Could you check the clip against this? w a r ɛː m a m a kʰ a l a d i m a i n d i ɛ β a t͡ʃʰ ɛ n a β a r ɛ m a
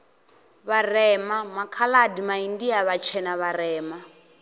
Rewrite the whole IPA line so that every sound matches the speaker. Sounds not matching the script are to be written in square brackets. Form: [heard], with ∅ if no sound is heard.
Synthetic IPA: [β] a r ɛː m a m a kʰ a l a d i m a i n d i [a] β a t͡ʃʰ ɛ n a β a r [ɛː] m a